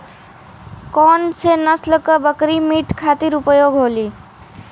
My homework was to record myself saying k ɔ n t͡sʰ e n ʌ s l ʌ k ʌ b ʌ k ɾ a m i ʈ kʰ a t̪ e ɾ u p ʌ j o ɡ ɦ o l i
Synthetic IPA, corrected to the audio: k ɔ n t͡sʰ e n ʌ s l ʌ k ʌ b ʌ k ɾ i m i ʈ kʰ a t̪ i ɾ u p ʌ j o ɡ ɦ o l i